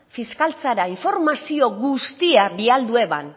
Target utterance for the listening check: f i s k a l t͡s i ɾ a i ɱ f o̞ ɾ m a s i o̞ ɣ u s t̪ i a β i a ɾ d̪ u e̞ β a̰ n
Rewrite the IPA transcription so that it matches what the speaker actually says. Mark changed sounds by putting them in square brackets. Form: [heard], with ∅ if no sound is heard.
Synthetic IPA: f i s k a l t͡s [a] ɾ a i ɱ f o̞ ɾ m a s i o̞ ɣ u s t̪ i a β i a [l] d̪ u e̞ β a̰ n